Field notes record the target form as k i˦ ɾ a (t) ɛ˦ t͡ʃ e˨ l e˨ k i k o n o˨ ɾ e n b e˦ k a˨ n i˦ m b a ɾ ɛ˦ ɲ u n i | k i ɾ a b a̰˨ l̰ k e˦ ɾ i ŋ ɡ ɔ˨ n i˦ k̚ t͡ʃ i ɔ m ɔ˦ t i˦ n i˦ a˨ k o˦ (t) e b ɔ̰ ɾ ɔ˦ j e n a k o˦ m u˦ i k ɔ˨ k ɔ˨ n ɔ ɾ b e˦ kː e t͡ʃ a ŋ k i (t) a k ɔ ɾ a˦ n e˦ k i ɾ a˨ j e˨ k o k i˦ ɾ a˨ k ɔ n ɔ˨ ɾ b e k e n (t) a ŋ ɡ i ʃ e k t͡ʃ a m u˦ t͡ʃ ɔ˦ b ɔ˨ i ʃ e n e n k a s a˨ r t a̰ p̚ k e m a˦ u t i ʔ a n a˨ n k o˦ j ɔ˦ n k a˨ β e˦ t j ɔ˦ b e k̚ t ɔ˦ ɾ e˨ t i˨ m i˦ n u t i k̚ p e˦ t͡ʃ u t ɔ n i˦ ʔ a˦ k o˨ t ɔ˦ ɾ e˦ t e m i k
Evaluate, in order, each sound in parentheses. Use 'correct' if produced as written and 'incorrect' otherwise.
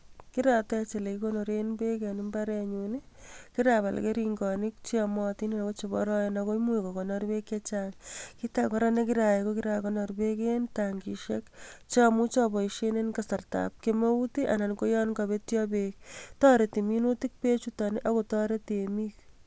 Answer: correct, incorrect, correct, correct

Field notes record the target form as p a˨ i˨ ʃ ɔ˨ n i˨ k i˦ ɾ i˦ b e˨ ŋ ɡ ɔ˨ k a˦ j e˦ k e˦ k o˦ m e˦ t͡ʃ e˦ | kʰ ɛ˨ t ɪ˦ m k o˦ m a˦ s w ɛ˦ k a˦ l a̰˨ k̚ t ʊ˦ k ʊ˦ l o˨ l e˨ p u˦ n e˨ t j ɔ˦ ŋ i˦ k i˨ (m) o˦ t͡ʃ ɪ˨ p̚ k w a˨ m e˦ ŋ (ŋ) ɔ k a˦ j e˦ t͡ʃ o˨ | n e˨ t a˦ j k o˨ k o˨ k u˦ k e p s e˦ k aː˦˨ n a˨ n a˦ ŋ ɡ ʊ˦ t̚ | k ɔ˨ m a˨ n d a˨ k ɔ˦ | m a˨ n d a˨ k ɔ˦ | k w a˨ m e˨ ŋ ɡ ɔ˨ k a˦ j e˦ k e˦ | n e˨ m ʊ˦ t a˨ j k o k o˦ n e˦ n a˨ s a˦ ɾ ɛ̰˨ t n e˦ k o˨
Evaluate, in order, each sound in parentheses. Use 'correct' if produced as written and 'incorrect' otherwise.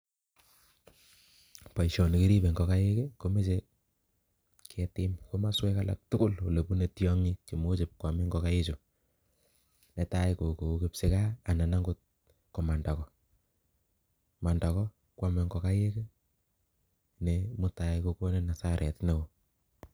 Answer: correct, incorrect

